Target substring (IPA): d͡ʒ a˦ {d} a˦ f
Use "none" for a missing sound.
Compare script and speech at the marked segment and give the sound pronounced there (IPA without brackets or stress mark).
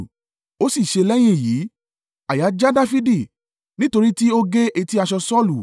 d